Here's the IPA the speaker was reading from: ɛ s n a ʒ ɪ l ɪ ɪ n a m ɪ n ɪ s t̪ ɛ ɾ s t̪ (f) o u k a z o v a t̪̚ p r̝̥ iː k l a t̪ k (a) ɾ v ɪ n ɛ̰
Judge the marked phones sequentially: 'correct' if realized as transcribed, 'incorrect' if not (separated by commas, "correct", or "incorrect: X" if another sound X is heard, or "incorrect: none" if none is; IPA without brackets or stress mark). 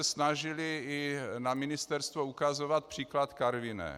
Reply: incorrect: v, correct